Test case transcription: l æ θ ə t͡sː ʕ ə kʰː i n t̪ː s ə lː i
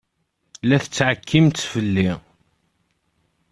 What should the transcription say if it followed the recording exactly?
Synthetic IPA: l æ θ ə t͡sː ʕ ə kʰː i m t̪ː f ə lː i

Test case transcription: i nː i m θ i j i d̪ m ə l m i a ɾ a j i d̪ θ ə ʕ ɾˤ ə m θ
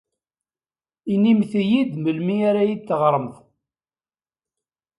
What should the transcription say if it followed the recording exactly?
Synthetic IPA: i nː i m θ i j i d̪ m ə l m i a ɾ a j i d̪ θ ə ʁ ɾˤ ə m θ

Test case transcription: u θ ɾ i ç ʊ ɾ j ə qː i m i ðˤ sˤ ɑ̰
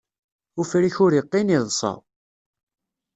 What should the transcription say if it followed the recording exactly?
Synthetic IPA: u f ɾ i ç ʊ ɾ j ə qː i n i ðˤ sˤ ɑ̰

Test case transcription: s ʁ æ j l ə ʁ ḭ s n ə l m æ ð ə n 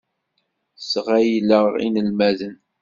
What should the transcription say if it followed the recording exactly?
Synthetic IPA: s ʁ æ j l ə ʁ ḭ n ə l m æ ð ə n

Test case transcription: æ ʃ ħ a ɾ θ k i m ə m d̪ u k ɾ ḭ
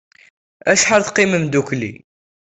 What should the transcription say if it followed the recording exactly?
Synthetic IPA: æ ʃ ħ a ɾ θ q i m ə m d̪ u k l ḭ

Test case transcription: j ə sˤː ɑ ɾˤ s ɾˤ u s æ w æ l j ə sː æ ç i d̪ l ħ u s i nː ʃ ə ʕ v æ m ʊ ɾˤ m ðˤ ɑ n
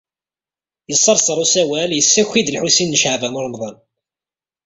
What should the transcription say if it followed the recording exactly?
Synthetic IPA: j ə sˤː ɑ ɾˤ s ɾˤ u s æ w æ l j ə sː æ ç i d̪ l ħ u s i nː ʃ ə ʕ v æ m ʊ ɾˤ m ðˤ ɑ n

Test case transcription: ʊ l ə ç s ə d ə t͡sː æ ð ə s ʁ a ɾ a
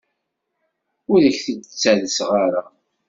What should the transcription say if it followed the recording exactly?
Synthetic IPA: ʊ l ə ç θ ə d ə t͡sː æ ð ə s ʁ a ɾ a

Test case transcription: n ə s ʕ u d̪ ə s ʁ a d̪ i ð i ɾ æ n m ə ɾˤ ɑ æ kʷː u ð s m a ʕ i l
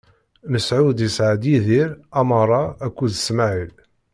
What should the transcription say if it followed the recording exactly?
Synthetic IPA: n ə s ʕ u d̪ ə s ʕ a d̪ i ð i ɾ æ m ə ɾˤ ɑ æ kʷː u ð s m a ʕ i l

